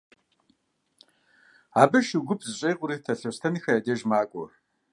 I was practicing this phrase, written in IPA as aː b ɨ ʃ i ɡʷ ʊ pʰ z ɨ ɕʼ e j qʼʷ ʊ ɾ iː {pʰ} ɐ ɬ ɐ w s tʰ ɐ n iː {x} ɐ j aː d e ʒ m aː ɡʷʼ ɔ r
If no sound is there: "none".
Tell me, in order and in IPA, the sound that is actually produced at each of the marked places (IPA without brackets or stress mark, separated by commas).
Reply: tʰ, x